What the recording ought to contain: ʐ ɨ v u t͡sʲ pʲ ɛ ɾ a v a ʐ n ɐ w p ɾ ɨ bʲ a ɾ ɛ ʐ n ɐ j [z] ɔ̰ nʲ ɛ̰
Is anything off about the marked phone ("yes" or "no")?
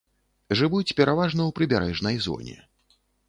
no